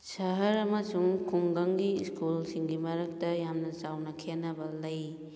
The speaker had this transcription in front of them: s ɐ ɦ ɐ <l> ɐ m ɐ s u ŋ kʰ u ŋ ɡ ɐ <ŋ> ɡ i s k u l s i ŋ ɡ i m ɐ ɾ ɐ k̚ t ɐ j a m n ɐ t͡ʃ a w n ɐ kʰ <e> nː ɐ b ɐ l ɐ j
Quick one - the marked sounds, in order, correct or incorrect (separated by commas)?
incorrect, correct, correct